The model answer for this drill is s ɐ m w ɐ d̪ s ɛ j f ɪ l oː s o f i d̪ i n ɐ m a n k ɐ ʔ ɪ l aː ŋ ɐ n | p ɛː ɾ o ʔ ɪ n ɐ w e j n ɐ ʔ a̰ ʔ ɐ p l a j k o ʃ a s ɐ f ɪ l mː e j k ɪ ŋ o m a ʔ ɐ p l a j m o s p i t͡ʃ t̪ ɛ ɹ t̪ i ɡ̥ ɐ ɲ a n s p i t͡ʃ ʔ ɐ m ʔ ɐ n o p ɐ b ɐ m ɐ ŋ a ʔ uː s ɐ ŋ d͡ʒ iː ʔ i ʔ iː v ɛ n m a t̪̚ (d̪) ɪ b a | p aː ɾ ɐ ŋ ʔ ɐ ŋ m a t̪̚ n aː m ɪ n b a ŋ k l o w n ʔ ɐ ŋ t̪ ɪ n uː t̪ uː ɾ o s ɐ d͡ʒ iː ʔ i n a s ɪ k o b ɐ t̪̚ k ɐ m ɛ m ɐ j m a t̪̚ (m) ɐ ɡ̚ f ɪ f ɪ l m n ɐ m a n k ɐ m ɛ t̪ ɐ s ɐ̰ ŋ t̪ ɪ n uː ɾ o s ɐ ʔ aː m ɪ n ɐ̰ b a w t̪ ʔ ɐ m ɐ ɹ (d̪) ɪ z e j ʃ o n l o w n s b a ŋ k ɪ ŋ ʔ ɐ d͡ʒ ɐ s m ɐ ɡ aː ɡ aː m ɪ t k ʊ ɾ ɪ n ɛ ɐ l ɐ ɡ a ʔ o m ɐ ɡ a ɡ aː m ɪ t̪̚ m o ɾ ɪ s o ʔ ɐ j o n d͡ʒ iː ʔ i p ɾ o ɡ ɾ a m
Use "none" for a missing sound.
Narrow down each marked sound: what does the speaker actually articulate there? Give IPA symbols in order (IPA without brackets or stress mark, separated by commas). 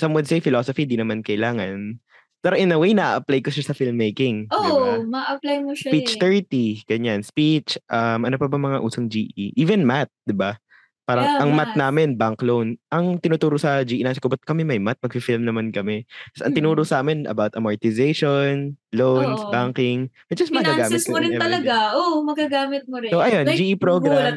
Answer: d̪, m, t̪